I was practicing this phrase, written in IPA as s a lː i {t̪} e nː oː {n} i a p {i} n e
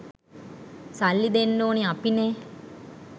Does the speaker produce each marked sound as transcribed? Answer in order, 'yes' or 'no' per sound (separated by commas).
no, yes, yes